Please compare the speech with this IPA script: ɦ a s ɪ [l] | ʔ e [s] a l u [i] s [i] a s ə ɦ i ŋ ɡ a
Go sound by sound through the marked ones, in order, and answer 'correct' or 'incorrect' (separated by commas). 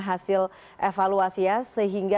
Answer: correct, incorrect, incorrect, correct